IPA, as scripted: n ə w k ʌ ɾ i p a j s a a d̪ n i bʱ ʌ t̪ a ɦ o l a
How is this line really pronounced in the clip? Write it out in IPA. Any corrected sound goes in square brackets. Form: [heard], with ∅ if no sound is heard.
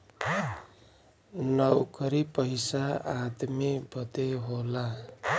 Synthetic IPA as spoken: n [ʌ] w k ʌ ɾ i p [ʌ] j s a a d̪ [m] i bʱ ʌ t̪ [e] ɦ o l a